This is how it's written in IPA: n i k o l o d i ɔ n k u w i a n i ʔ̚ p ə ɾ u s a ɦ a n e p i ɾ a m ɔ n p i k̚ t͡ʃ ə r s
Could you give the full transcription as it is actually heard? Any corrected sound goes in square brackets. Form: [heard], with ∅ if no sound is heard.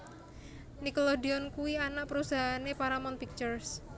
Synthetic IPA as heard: n i k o l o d i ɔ n k u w i a n [a] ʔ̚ p ə ɾ u s a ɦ a n e p [a] ɾ a m ɔ n p i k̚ t͡ʃ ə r s

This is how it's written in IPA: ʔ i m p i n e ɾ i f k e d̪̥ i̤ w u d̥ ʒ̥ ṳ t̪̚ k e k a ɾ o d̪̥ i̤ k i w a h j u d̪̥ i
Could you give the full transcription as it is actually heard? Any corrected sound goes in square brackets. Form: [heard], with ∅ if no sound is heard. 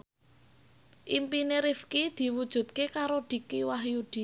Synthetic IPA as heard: ʔ i m p i n e ɾ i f k [i] d̪̥ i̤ w u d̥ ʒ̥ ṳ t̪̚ k e k a ɾ o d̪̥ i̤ k i w a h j u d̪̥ i

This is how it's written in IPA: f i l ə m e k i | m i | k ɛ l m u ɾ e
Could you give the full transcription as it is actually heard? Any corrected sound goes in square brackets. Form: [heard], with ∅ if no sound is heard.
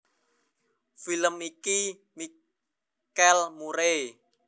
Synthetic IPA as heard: f i l ə m [i] k i | m i | k ɛ l m u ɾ e

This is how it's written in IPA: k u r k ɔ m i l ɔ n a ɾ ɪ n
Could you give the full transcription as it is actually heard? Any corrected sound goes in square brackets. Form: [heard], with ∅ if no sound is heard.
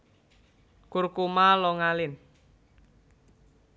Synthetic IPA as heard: k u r k [u] m [a] l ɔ [ŋ] a [l] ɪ n

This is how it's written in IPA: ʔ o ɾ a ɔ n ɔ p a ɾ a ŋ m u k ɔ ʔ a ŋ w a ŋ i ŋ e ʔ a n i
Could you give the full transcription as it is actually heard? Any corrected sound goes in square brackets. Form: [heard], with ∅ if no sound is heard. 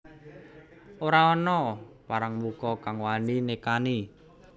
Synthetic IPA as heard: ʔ o ɾ a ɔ n ɔ p a ɾ a ŋ m u k ɔ [k] a ŋ w a [n] i [n] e [k] a n i

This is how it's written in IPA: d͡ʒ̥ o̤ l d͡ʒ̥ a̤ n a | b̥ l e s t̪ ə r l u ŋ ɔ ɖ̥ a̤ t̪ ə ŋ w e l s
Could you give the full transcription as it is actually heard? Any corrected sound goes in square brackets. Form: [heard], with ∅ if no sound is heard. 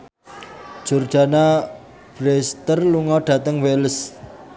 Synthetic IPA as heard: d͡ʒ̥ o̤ [r] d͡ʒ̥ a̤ n a | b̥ [ɾ] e s t̪ ə r l u ŋ ɔ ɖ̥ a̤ t̪ ə ŋ w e l s

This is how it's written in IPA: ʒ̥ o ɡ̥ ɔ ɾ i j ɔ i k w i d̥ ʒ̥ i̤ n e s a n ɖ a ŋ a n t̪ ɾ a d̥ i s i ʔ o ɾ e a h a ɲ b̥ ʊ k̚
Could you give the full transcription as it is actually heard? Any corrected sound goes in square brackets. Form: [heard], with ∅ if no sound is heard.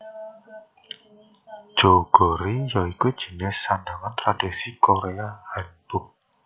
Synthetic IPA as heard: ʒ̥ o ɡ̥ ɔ ɾ i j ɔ i k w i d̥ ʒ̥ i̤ n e s a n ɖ a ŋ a n t̪ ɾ a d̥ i s i [k] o ɾ e a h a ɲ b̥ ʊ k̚

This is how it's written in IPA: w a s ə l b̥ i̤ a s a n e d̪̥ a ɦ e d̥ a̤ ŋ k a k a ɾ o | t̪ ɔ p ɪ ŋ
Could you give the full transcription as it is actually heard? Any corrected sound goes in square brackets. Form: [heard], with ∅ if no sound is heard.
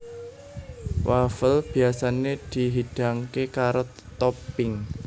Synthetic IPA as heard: w a [f] ə l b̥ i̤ a s a n e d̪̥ [i] ɦ [i] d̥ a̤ ŋ k [e] k a ɾ o | t̪ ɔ p ɪ ŋ

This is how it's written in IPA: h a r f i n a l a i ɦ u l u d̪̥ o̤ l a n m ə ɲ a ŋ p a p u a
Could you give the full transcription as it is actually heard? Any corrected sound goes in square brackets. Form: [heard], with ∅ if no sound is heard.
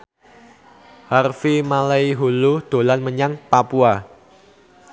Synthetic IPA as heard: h a r f i [m] a l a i ɦ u l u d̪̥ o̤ l a n m ə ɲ a ŋ p a p u a

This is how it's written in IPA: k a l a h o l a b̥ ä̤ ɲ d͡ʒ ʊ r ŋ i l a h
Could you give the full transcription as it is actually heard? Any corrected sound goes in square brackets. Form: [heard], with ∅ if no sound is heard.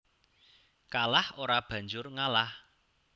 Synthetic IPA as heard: k a l a h o [ɾ] a b̥ ä̤ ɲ d͡ʒ ʊ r ŋ [a] l a h

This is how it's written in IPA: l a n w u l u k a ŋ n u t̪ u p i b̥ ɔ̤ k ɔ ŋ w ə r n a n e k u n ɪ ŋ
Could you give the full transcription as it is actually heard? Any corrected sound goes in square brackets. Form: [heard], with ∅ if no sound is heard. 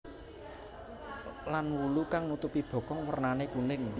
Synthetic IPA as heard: l a n w u l u k a ŋ n u t̪ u p i b̥ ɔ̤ k ɔ ŋ w ə r n a n e k u n ɪ ŋ

